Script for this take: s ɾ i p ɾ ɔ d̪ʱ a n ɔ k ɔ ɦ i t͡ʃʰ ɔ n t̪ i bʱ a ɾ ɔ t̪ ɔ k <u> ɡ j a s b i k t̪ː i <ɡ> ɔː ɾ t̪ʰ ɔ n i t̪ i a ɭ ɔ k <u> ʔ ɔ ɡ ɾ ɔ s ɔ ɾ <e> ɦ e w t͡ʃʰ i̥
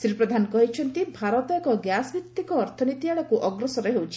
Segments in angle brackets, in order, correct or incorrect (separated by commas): incorrect, incorrect, correct, correct